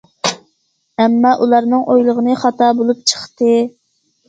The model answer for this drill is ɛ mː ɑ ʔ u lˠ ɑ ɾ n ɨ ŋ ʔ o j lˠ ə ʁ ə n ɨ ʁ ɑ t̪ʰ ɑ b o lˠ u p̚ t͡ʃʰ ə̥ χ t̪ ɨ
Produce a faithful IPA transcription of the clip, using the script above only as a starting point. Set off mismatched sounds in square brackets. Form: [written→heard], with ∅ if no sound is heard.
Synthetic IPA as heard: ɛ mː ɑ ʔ u lˠ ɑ ɾ n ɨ ŋ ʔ o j lˠ ə ʁ ə n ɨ [ʁ→χ] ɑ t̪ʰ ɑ b o lˠ u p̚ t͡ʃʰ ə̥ χ t̪ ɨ